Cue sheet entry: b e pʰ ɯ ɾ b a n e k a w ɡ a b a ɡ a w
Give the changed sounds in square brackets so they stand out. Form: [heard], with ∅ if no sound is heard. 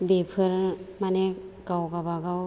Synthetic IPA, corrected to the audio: b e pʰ ɯ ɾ [m] a n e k a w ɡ a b a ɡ a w